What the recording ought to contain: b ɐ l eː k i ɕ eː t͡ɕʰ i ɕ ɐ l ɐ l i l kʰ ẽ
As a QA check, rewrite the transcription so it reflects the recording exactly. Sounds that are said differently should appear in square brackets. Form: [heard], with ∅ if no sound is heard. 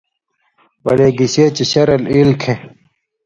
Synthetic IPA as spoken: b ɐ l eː [ɡ] i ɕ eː [t͡ɕ] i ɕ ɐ [ɾ] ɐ l i l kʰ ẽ